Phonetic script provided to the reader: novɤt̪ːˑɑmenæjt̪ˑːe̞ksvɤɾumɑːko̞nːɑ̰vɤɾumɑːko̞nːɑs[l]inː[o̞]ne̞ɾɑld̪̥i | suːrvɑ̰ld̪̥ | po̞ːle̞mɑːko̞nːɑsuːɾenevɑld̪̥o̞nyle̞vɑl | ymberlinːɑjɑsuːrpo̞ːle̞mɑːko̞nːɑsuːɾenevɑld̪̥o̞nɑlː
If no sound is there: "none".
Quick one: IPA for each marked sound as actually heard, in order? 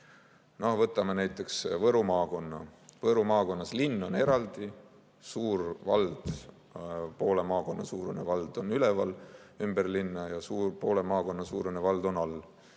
l, o̞

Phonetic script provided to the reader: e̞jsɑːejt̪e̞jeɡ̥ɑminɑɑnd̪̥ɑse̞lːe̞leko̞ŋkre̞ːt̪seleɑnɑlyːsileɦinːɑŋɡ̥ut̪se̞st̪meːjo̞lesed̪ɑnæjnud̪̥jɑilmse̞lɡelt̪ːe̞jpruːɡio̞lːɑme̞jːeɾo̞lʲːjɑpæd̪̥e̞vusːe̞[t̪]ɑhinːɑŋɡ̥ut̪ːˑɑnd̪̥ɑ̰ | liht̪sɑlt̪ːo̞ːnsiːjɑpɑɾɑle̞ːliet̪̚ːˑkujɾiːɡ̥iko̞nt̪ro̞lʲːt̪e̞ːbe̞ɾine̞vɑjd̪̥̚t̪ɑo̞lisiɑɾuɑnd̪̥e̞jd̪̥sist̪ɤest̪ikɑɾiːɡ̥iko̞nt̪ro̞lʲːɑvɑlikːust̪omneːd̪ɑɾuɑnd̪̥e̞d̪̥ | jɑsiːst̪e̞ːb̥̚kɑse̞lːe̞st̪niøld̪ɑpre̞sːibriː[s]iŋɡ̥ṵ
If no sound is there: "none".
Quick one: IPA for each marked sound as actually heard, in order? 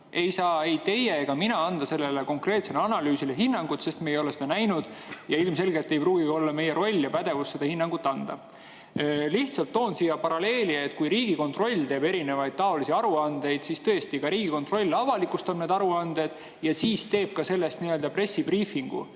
d̪, f

